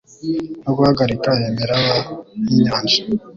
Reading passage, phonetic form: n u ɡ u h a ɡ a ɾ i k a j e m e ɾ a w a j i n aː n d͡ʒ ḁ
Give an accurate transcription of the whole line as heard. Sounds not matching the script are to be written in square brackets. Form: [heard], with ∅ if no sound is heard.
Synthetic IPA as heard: n [o] ɡ u h a ɡ a ɾ i k a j e m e ɾ a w a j i [ɲ] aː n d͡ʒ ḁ